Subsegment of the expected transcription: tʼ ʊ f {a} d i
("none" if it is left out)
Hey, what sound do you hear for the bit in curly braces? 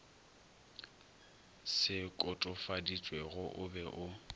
a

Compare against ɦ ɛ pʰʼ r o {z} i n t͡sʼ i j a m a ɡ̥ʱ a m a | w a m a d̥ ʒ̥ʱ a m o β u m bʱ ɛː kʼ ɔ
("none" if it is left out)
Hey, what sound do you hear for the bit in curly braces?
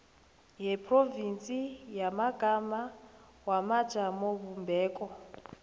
v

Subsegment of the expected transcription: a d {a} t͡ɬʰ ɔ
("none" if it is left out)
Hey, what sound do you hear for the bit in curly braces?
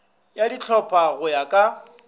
i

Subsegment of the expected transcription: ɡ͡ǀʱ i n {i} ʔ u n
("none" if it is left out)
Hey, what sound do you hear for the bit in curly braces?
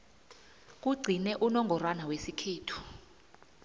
ɛ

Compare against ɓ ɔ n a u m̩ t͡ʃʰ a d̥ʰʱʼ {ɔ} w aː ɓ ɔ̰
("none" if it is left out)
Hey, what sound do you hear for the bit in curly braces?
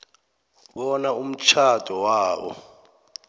ɔ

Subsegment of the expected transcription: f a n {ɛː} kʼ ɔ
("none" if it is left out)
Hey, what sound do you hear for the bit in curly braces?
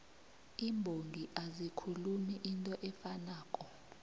aː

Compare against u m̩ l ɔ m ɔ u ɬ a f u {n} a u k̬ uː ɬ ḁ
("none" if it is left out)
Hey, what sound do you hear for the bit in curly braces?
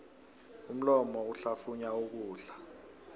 ɲ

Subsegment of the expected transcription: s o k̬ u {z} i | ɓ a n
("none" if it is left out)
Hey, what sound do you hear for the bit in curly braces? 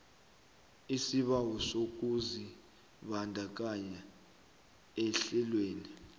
z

